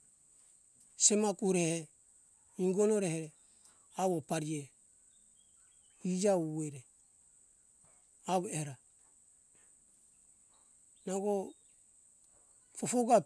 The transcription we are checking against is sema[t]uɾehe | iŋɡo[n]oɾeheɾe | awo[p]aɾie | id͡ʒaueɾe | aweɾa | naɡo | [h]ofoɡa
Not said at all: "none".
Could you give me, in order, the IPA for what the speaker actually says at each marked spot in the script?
k, n, p, f

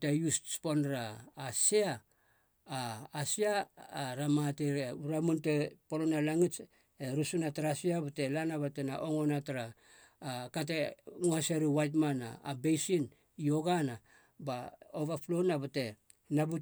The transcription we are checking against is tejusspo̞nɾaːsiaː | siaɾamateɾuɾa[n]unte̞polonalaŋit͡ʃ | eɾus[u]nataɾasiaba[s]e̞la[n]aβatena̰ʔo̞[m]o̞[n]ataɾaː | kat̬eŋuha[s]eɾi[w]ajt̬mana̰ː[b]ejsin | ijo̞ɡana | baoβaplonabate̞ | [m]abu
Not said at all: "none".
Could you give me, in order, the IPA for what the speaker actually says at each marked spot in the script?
m, u, t, n, ŋ, n, s, w, b, n

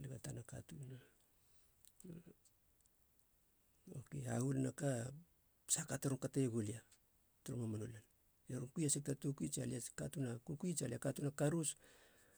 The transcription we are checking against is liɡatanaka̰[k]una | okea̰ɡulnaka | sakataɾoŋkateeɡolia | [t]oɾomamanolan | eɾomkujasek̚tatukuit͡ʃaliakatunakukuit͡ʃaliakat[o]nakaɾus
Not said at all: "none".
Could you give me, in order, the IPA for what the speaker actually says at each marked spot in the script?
t, t, u

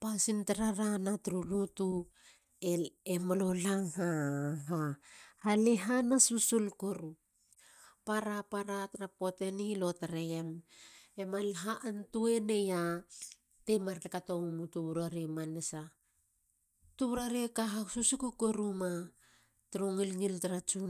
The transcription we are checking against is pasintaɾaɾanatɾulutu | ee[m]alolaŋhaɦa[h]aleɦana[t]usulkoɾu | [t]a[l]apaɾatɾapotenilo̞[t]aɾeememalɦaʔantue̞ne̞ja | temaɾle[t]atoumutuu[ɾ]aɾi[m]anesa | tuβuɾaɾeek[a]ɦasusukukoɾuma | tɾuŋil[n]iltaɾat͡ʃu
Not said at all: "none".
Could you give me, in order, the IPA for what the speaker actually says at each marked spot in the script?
m, h, s, p, ɾ, t, k, ɾ, m, a, ŋ

